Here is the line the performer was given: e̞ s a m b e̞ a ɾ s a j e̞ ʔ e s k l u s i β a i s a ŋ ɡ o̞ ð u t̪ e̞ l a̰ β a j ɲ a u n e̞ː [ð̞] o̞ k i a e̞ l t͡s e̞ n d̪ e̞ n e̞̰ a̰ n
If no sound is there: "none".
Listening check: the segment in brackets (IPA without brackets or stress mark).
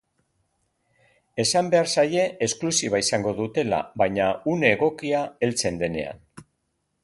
ɣ̞